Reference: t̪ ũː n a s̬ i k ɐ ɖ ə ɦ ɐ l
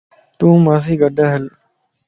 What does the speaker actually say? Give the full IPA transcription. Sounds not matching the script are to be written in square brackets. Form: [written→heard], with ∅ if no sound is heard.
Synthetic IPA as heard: t̪ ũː [n→m] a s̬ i [k→ɡ] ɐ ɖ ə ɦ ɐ l